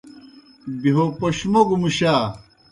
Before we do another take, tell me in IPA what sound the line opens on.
b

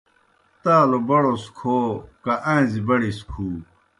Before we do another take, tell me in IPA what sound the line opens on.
t̪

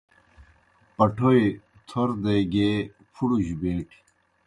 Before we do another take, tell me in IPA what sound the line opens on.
p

